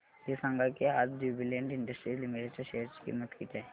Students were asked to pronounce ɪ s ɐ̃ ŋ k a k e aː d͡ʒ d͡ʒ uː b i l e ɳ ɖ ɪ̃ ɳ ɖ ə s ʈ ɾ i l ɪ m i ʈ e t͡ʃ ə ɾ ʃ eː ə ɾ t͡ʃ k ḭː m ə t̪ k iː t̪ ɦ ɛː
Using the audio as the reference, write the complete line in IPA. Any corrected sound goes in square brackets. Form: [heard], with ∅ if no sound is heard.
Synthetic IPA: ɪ s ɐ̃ ŋ [ɡ] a k e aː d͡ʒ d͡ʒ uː b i l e ɳ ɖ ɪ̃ ɳ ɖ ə s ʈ ɾ i l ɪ m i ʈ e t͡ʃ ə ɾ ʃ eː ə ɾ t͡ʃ k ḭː m ə t̪ k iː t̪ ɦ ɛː